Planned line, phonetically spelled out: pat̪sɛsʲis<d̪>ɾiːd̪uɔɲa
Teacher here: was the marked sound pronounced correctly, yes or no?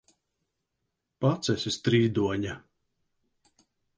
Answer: no